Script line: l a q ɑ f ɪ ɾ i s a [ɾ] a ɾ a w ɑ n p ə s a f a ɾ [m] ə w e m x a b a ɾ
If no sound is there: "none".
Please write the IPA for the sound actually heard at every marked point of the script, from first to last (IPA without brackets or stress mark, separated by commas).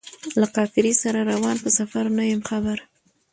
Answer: ɾ, n